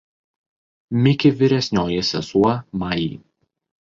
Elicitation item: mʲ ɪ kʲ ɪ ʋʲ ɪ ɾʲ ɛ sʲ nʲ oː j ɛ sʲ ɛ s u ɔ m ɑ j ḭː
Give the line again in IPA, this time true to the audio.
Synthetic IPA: mʲ ɪ kʲ ɪ ʋʲ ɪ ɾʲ ɛ sʲ nʲ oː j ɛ sʲ ɛ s u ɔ m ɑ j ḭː